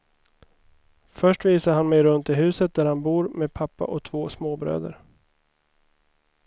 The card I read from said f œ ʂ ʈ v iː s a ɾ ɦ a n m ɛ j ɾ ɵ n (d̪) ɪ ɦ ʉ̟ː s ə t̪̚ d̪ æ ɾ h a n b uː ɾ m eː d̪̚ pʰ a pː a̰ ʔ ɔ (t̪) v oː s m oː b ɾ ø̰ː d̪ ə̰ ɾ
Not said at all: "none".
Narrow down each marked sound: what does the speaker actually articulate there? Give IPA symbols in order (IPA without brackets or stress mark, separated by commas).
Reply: t̪, t̪ʰ